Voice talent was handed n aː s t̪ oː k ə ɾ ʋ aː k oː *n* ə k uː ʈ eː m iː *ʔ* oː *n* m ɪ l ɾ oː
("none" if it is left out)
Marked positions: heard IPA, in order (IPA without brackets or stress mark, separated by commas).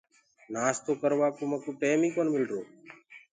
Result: m, k, n